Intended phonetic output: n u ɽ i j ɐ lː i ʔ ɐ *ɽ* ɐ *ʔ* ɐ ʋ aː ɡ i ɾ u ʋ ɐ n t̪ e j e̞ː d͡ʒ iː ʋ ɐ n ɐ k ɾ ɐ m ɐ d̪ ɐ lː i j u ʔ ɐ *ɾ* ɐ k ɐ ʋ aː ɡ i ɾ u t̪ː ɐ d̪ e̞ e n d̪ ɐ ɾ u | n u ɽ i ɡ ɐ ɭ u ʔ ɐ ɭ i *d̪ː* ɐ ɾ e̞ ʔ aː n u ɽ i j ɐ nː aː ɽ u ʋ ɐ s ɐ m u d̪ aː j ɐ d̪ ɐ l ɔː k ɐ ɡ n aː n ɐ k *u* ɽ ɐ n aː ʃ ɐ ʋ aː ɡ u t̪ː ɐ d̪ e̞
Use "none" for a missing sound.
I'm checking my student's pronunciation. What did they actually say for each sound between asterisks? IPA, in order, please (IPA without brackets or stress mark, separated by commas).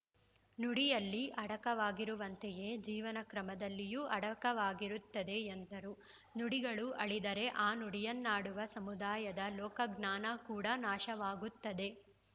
ɽ, k, ɽ, d̪, uː